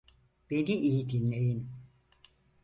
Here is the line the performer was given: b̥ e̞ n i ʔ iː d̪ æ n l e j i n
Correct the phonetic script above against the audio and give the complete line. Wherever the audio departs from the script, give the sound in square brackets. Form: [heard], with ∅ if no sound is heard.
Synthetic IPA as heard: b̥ e̞ n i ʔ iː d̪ [i] n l e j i n